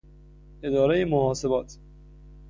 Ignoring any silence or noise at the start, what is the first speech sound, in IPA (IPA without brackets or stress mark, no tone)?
e